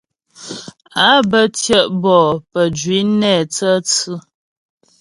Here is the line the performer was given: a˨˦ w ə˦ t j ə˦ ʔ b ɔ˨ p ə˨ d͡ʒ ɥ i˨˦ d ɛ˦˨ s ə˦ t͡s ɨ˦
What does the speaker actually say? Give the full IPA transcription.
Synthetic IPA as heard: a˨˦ b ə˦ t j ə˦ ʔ b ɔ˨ p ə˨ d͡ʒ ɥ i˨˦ n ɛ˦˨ t͡s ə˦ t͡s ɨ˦